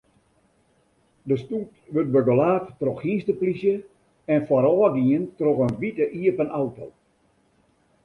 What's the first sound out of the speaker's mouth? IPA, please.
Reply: d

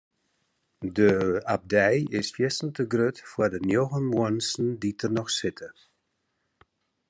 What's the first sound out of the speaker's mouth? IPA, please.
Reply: d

